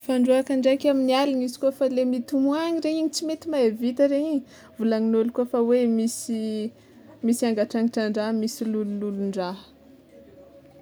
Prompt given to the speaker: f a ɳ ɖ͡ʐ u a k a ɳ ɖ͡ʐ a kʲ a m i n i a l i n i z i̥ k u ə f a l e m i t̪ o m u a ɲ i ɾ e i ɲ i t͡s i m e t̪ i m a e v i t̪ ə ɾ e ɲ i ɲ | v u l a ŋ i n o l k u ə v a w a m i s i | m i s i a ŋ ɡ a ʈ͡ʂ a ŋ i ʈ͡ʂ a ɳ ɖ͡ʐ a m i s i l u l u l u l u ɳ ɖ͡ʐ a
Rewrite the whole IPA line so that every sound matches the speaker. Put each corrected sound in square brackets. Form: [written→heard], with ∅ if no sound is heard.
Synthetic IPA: f a ɳ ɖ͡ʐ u a k a ɳ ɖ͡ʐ a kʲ a m i n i a l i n i z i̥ k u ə f a l e m i t̪ [o→u] m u a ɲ i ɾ e i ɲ i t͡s i m e t̪ i m a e v i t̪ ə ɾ e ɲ i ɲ | v u l a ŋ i n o l k u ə [v→f] a w [a→e] m i s i | m i s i a ŋ ɡ a ʈ͡ʂ a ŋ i ʈ͡ʂ a ɳ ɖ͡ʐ a m i s i l u l u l u l u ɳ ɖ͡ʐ a